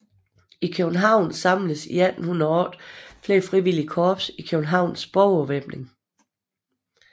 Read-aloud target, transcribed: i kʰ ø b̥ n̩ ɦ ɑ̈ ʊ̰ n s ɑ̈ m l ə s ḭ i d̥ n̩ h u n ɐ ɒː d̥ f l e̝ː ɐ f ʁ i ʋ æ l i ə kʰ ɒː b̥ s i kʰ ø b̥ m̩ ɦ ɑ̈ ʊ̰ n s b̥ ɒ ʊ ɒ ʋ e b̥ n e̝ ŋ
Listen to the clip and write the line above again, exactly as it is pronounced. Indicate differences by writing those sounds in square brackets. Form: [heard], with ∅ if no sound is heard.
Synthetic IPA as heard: i kʰ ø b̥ n̩ ɦ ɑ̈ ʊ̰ n s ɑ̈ m l ə s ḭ [æ] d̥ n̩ h u n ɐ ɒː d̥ f l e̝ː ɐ f ʁ i ʋ [i] l i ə kʰ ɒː b̥ s i kʰ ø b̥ [n̩] ɦ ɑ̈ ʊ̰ n s b̥ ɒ ʊ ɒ ʋ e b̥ n e̝ ŋ

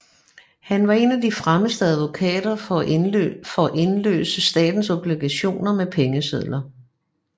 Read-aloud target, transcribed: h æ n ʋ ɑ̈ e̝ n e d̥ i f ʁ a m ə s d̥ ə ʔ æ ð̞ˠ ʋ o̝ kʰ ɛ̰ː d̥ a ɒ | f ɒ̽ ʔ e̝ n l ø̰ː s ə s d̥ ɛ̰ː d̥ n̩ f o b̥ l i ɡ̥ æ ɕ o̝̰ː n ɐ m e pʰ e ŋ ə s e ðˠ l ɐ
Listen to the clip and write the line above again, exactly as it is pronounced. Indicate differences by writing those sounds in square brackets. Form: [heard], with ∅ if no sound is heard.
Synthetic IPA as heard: h æ n ʋ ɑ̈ e̝ n [æ] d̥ i f ʁ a m ə s d̥ ə [∅] æ ð̞ˠ ʋ o̝ kʰ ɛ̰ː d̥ [ɐ] ɒ | f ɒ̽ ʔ e̝ n l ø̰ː s ə s d̥ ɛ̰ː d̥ n̩ [s] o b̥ l i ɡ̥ æ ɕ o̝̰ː n ɐ m e pʰ e ŋ ə s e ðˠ l ɐ

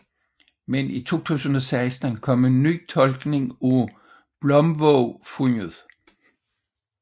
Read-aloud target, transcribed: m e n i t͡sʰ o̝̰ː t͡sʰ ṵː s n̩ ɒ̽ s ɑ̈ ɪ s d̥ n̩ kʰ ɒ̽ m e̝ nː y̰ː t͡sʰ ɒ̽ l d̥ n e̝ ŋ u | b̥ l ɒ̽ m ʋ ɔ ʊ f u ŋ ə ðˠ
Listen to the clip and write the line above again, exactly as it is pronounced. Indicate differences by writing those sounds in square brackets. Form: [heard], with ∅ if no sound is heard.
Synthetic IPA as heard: m e n i t͡sʰ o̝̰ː t͡sʰ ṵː s n̩ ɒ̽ s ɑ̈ ɪ s d̥ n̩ kʰ ɒ̽ m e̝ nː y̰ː t͡sʰ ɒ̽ l [ɡ̥] n e̝ ŋ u | b̥ l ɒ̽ m ʋ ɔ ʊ f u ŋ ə ðˠ

